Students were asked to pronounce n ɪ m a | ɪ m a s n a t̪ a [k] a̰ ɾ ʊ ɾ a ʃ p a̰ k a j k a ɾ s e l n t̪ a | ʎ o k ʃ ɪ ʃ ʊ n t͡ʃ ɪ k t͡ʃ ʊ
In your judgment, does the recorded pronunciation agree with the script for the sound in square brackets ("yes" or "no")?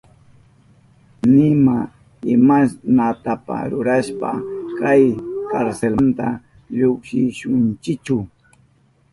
no